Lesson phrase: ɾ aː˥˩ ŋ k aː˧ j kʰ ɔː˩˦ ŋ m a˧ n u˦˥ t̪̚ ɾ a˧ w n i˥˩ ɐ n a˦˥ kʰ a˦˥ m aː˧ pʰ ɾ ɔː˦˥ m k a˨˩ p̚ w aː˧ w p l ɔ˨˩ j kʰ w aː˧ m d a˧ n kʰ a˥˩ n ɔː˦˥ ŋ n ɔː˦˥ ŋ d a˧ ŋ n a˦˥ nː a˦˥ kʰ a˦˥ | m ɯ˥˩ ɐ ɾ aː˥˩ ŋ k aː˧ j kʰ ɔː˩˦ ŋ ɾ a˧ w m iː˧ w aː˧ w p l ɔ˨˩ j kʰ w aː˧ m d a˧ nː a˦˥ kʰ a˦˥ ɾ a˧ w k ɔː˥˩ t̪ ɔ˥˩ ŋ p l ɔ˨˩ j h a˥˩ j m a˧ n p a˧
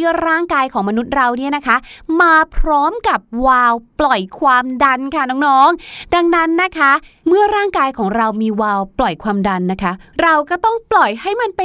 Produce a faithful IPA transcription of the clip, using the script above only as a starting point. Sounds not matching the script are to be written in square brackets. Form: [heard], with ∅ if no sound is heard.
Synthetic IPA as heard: ɾ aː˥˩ ŋ k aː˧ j kʰ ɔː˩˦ ŋ m a˧ n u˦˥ t̪̚ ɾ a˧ w n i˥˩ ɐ n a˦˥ kʰ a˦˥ m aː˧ pʰ ɾ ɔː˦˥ m k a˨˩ p̚ w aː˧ w p l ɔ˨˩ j kʰ w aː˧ m d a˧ n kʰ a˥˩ n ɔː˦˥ ŋ n ɔː˦˥ ŋ d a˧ ŋ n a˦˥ nː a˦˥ kʰ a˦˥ | m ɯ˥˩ ɐ ɾ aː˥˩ ŋ k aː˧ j kʰ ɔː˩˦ ŋ ɾ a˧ w m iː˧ w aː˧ w p l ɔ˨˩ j kʰ w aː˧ m d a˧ nː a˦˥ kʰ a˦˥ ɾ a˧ w k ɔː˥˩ t̪ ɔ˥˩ ŋ p l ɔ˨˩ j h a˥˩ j m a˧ n p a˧